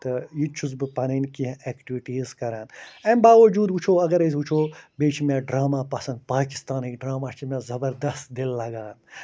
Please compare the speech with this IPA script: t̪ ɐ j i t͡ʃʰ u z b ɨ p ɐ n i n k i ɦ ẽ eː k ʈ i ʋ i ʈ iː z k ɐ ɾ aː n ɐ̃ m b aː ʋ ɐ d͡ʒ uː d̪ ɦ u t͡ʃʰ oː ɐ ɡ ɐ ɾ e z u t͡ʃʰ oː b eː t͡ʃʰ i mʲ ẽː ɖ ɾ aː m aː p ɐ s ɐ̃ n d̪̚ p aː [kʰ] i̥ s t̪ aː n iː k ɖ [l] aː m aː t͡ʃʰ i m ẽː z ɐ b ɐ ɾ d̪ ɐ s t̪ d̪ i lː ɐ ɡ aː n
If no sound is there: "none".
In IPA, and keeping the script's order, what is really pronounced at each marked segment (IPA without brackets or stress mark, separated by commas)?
k, ɾ